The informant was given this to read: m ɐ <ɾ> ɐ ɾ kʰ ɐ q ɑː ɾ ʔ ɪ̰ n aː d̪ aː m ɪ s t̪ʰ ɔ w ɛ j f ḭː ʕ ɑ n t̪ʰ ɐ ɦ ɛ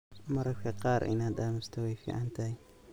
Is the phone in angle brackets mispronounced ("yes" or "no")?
no